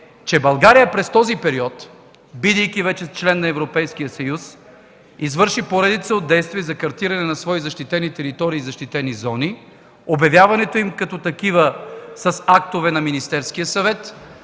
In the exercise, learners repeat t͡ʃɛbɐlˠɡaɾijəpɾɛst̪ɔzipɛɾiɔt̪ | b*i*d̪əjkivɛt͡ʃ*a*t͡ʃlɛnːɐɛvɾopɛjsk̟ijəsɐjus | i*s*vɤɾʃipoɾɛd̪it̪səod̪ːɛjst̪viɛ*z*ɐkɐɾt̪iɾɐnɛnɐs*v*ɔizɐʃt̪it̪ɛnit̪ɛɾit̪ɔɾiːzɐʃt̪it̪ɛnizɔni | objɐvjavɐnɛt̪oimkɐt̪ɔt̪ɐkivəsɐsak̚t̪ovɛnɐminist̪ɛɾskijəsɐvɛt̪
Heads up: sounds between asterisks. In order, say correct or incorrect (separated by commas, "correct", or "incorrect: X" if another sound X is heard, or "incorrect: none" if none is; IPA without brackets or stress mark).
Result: correct, incorrect: ɛ, incorrect: z, correct, correct